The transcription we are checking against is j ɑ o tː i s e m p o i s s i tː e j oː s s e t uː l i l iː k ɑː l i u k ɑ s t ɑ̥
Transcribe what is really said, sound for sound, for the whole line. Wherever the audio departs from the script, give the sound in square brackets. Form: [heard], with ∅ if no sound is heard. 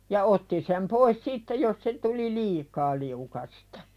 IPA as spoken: j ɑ o tː i s e m p o i s s i tː e j [o] s s e t [u] l i l iː k ɑː l i u k ɑ s t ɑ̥